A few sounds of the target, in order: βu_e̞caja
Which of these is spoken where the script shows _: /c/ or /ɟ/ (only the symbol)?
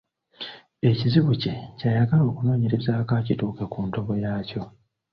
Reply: c